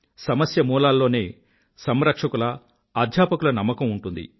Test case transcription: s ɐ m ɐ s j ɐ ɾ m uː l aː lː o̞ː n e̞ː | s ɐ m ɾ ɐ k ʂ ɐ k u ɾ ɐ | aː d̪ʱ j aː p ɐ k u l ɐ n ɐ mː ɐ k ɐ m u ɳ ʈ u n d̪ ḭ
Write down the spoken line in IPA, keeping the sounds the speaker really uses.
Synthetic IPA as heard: s ɐ m ɐ s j ɐ m uː l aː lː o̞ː n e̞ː | s ɐ m ɾ ɐ k ʂ ɐ k u l ɐ | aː d̪ʱ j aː p ɐ k u l ɐ n ɐ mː ɐ k ɐ m u ɳ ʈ u n d̪ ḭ